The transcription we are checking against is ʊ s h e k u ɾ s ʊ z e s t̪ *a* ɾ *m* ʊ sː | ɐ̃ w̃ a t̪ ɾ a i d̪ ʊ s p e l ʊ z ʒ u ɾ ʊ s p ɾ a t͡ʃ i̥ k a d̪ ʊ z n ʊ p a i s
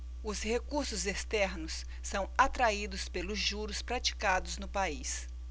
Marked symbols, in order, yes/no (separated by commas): no, no